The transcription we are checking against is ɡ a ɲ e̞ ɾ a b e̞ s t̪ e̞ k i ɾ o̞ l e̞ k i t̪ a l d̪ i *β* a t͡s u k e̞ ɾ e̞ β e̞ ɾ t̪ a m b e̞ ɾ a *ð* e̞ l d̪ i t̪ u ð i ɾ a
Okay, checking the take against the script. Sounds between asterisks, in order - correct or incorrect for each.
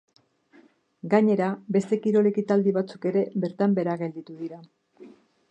correct, incorrect

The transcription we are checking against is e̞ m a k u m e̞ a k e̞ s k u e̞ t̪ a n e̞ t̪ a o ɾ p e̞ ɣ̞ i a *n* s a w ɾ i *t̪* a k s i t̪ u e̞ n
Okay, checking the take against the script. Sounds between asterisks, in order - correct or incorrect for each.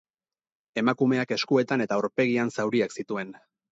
correct, incorrect

